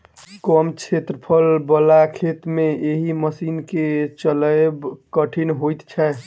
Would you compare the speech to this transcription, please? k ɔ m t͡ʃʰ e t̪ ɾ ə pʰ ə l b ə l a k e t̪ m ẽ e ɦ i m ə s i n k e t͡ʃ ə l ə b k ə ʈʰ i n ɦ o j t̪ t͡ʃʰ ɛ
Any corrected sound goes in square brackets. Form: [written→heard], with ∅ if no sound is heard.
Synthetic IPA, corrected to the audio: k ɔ m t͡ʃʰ e t̪ ɾ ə pʰ ə l b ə l a [k→kʰ] e t̪ m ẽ e ɦ i m ə s i n k e t͡ʃ ə l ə b k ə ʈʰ i n ɦ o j t̪ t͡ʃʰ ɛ